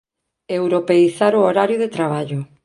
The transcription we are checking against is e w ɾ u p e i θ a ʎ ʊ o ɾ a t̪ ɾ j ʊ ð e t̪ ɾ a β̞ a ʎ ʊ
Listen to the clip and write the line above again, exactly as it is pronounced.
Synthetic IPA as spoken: e w ɾ o p e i θ a ɾ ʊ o ɾ a ɾ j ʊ ð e t̪ ɾ a β̞ a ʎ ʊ